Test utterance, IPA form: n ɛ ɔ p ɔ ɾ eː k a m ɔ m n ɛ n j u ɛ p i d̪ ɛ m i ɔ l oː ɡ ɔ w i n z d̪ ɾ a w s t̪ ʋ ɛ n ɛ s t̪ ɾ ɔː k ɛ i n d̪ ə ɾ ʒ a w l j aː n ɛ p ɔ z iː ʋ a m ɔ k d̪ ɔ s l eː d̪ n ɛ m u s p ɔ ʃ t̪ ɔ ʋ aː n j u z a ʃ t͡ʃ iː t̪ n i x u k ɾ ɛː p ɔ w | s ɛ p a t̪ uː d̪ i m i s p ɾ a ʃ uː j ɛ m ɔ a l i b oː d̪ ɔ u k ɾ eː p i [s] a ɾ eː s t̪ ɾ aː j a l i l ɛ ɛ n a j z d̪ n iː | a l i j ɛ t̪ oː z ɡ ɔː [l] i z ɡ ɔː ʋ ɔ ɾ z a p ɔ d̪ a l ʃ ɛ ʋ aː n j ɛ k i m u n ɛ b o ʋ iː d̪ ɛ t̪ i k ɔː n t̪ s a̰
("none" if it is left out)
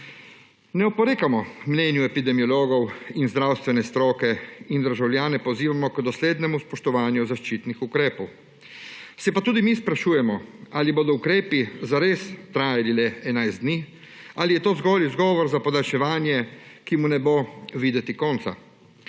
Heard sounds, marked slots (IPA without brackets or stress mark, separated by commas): z, l